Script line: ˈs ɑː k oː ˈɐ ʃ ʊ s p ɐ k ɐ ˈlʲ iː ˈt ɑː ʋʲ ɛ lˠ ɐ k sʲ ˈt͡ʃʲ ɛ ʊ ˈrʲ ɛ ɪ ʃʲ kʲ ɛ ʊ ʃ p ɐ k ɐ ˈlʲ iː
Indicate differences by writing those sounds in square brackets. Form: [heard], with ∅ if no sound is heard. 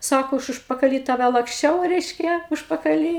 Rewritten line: ˈs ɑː k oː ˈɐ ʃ ʊ [ʃ] p ɐ k ɐ ˈlʲ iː ˈt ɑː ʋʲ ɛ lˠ ɐ k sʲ ˈt͡ʃʲ ɛ ʊ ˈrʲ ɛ ɪ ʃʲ kʲ ɛ ʊ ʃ p ɐ k ɐ ˈlʲ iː

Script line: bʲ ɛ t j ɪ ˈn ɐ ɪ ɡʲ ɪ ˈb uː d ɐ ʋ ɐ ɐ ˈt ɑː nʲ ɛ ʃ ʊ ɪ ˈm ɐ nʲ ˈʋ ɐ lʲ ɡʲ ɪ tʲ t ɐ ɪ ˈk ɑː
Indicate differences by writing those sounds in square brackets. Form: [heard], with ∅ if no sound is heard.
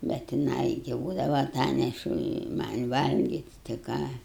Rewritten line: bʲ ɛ t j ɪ ˈn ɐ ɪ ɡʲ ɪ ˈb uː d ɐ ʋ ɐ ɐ ˈt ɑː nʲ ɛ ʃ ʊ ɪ ˈm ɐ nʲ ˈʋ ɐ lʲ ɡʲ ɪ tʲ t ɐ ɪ ˈk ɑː

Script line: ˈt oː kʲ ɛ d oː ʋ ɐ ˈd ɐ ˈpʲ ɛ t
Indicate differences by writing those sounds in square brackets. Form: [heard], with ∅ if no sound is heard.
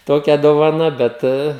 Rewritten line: ˈt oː kʲ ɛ d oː ʋ ɐ [ˈn] ɐ [ˈbʲ] ɛ t

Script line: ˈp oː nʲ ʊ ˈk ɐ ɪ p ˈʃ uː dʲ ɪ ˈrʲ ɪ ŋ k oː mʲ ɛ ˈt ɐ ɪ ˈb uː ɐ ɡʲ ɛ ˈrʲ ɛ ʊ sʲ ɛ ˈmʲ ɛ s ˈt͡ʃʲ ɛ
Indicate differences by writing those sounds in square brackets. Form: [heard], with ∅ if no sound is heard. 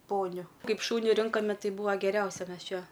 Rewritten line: ˈp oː nʲ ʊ ˈk ɐ ɪ p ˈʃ uː [nʲ] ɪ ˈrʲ ɪ ŋ k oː mʲ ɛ ˈt ɐ ɪ ˈb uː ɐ ɡʲ ɛ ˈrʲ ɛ ʊ sʲ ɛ ˈmʲ ɛ s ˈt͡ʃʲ ɛ

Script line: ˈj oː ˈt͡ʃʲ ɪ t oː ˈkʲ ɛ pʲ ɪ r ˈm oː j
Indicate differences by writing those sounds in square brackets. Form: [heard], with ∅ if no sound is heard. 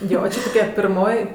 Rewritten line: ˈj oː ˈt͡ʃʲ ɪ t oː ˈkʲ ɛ pʲ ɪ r ˈm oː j

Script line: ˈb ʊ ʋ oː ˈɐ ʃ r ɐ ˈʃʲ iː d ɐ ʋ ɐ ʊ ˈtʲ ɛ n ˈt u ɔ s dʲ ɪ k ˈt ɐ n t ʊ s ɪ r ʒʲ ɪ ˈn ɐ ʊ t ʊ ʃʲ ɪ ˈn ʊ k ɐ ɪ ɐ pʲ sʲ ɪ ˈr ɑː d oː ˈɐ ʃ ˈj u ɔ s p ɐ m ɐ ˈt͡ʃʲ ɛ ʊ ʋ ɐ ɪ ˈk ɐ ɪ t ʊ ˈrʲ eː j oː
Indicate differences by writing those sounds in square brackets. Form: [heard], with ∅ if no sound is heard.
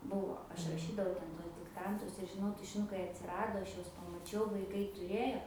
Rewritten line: ˈb ʊ ʋ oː ˈɐ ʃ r ɐ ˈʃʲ iː d ɐ ʋ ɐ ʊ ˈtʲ ɛ n ˈt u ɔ s dʲ ɪ k ˈt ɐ n t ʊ s ɪ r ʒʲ ɪ ˈn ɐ ʊ t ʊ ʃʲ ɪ ˈn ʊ k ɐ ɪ ɐ [tʲ] sʲ ɪ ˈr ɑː d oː ˈɐ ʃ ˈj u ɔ s p ɐ m ɐ ˈt͡ʃʲ ɛ ʊ ʋ ɐ ɪ ˈk ɐ ɪ t ʊ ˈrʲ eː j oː

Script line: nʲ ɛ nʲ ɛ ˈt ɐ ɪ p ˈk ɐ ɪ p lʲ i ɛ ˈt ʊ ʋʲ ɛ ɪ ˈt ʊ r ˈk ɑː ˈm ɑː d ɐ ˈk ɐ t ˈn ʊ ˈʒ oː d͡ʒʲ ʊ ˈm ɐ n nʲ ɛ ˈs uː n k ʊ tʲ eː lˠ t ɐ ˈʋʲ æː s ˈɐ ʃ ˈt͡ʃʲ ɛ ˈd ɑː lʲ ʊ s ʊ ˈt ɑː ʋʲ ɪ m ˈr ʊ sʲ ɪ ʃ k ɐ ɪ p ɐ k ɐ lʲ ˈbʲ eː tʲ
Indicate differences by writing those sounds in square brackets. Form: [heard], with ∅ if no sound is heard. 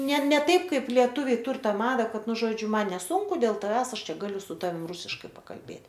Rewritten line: nʲ ɛ nʲ ɛ ˈt ɐ ɪ p ˈk ɐ ɪ p lʲ i ɛ ˈt ʊ ʋʲ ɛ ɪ ˈt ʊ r [ˈt] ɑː ˈm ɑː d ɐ ˈk ɐ t ˈn ʊ ˈʒ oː d͡ʒʲ ʊ ˈm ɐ n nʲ ɛ ˈs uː [ŋ] k ʊ [dʲ] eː lˠ t ɐ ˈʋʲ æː s ˈɐ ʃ ˈt͡ʃʲ ɛ [ˈɡ] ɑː lʲ ʊ s ʊ ˈt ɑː ʋʲ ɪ m ˈr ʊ sʲ ɪ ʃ k ɐ ɪ p ɐ k ɐ lʲ ˈbʲ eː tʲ

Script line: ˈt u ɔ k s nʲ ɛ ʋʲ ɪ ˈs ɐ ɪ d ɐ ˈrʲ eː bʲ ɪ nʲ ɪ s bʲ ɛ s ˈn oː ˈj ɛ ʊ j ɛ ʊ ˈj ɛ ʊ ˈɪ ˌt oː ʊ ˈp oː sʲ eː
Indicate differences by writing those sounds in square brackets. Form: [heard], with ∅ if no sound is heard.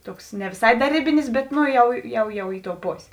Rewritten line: ˈt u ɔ k s nʲ ɛ ʋʲ ɪ ˈs ɐ ɪ d ɐ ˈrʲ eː bʲ ɪ nʲ ɪ s bʲ ɛ [t] ˈn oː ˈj ɛ ʊ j ɛ ʊ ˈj ɛ ʊ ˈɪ ˌt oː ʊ ˈp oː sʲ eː

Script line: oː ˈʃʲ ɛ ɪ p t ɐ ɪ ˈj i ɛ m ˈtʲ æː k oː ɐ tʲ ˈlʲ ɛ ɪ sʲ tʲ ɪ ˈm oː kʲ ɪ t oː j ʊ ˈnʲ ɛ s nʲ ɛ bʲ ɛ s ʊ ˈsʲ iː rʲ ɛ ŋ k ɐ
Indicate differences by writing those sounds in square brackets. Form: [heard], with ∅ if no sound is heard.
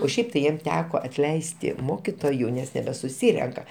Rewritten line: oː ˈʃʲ ɛ ɪ p t ɐ ɪ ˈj i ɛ m ˈtʲ æː k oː ɐ tʲ ˈlʲ ɛ ɪ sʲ tʲ ɪ ˈm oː kʲ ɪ t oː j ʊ ˈnʲ ɛ s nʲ ɛ bʲ ɛ s ʊ ˈsʲ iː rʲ ɛ ŋ k ɐ

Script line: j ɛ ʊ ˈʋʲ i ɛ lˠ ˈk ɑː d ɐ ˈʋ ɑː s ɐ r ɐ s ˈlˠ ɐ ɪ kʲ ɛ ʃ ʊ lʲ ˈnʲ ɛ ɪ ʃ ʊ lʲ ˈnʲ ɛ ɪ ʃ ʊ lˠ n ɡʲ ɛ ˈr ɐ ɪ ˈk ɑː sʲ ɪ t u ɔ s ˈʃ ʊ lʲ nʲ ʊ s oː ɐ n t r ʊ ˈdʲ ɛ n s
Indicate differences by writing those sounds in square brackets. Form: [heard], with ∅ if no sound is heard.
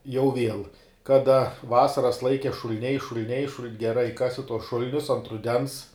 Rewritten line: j ɛ ʊ ˈʋʲ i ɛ lˠ ˈk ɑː d ɐ ˈʋ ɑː s ɐ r ɐ s ˈlˠ ɐ ɪ kʲ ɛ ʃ ʊ lʲ ˈnʲ ɛ ɪ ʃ ʊ lʲ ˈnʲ ɛ ɪ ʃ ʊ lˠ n ɡʲ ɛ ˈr ɐ ɪ ˈk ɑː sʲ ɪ t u ɔ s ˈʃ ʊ lʲ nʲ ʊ s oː ɐ n t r ʊ ˈdʲ ɛ n s

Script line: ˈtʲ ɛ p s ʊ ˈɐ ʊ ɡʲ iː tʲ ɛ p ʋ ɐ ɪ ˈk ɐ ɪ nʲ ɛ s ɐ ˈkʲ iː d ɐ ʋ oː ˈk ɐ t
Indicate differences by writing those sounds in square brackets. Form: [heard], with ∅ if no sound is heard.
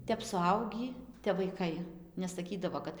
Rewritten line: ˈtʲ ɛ p s ʊ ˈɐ ʊ ɡʲ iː tʲ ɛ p ʋ ɐ ɪ ˈk ɐ ɪ nʲ ɛ s ɐ ˈkʲ iː d ɐ ʋ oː ˈk ɐ t

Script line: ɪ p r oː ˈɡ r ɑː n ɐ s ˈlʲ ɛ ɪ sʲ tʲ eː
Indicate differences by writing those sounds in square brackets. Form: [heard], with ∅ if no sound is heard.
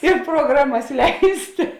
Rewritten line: ɪ p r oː ˈɡ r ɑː [m] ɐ s ˈlʲ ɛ ɪ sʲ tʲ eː

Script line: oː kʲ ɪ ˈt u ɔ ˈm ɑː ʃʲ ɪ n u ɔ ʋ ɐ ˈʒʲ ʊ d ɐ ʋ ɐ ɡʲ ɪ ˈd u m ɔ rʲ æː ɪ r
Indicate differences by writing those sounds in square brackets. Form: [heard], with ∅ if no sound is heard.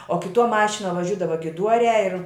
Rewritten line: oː kʲ ɪ ˈt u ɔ ˈm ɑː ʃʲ ɪ n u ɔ ʋ ɐ ˈʒʲ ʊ d ɐ ʋ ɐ ɡʲ ɪ ˈd u [∅] ɔ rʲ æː ɪ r

